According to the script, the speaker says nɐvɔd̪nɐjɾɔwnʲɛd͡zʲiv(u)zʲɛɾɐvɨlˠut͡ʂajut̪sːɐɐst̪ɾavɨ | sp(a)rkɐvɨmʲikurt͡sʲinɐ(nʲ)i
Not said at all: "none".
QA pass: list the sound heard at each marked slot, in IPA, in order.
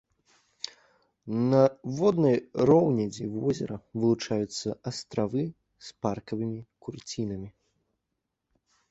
ɔ, a, mʲ

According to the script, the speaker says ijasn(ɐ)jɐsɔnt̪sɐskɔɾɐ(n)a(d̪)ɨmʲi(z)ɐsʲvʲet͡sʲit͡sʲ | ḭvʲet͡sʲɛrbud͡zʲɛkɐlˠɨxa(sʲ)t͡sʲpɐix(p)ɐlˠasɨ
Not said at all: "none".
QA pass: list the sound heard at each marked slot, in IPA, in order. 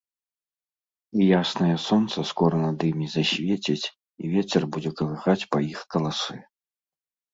ɐ, n, d̪, z, none, k

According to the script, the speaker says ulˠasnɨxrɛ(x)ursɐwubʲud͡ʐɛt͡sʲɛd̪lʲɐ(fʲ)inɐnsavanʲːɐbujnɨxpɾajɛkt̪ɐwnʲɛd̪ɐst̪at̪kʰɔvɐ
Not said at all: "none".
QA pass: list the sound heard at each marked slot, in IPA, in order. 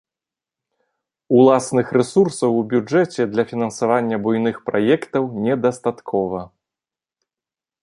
s, fʲ

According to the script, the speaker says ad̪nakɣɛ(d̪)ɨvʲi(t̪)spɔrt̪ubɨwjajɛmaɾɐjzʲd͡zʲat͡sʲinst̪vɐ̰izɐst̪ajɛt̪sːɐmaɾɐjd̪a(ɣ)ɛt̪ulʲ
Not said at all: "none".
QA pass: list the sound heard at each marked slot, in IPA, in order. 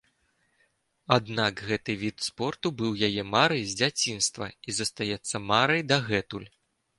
t̪, t̪, ɣ

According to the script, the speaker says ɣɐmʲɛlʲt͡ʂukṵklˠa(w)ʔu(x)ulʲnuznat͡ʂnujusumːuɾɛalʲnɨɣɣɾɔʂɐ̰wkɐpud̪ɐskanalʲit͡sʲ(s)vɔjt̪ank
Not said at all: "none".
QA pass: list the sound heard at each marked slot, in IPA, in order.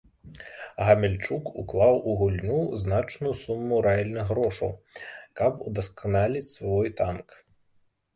w, ɣ, s

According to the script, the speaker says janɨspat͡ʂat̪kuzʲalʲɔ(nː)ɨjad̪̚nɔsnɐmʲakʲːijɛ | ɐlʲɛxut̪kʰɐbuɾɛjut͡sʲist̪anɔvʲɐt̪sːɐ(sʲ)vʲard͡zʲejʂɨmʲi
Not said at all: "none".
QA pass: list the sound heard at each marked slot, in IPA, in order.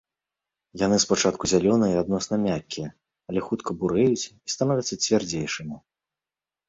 n, t͡sʲ

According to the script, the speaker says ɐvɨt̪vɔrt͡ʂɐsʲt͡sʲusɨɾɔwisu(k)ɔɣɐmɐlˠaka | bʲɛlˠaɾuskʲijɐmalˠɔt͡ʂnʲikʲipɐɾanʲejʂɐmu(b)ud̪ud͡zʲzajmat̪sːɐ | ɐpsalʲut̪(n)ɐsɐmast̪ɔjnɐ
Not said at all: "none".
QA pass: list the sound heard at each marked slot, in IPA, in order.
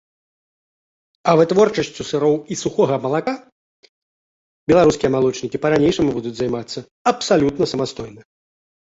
x, b, n

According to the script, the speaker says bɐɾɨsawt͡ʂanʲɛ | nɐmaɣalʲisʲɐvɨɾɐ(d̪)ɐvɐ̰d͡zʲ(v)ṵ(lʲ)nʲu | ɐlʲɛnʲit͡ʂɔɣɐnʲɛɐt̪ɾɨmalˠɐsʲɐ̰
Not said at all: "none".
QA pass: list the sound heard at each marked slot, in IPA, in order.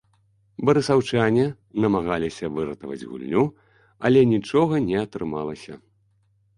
t̪, ɣ, lʲ

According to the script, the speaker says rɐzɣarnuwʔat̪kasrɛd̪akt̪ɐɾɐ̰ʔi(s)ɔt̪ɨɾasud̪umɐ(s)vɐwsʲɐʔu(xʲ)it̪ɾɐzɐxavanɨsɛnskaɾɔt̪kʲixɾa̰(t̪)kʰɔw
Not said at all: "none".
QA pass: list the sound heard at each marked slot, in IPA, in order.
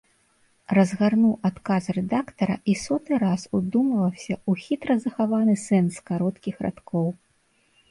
s, none, xʲ, t̪

